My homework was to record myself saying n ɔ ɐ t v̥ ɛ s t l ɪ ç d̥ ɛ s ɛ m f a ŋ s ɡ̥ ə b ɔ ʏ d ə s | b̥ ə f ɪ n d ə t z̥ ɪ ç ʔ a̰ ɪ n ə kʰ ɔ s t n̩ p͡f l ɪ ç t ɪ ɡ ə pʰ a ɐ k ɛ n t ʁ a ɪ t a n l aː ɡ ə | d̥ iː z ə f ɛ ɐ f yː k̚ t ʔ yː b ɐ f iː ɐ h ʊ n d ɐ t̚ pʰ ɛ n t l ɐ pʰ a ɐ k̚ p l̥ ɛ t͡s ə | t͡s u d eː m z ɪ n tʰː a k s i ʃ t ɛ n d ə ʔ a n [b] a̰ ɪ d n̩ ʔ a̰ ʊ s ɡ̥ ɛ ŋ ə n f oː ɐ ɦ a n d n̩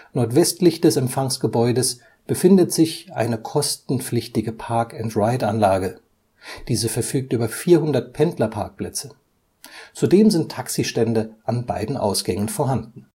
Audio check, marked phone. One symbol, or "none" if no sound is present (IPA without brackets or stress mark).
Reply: b